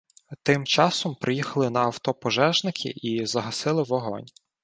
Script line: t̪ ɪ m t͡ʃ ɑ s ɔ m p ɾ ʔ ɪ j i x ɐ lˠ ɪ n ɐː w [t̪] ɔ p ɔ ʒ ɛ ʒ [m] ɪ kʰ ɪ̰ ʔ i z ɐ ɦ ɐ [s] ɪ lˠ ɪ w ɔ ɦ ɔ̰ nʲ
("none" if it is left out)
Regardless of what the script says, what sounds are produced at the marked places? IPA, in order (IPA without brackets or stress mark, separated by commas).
t̪, n, s